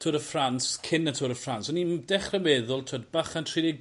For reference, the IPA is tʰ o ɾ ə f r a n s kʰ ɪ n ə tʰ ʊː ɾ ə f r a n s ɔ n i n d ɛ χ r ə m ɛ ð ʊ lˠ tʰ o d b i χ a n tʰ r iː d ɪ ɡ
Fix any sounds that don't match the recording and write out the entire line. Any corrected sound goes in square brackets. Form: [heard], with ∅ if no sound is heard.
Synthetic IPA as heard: tʰ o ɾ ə f r a n s kʰ ɪ n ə tʰ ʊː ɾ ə f r a n s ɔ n i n d ɛ χ r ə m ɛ ð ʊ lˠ tʰ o d b [a] χ a n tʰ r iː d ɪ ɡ